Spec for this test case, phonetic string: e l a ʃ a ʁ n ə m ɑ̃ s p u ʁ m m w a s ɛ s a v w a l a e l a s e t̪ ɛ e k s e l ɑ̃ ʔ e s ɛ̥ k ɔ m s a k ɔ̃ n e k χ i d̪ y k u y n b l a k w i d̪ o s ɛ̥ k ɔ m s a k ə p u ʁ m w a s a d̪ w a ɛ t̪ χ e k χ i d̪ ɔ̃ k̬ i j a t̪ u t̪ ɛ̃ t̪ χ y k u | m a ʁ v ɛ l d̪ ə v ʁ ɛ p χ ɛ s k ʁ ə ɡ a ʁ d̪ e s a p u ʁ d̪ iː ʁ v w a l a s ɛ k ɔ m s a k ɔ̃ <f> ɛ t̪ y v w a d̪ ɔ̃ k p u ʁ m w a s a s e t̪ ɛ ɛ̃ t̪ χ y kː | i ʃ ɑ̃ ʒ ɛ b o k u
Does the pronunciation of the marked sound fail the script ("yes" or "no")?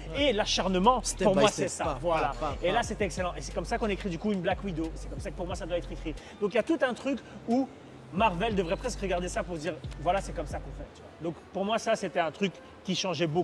no